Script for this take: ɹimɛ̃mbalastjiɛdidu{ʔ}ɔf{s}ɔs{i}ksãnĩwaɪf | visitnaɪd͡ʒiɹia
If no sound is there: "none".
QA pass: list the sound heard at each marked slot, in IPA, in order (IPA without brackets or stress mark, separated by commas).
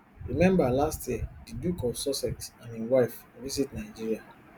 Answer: k, s, ɛ